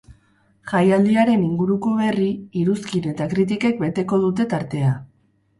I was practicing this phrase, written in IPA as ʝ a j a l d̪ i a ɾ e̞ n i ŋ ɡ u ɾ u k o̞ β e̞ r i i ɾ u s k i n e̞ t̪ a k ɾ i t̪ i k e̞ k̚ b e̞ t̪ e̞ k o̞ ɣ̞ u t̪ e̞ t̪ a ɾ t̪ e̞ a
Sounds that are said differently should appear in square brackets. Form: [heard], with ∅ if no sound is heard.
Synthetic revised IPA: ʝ a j a l d̪ i a ɾ e̞ n i ŋ ɡ u ɾ u k o̞ β e̞ r i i ɾ u s k i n e̞ t̪ a k ɾ i t̪ i k e̞ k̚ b e̞ t̪ e̞ k o̞ [ð̞] u t̪ e̞ t̪ a ɾ t̪ e̞ a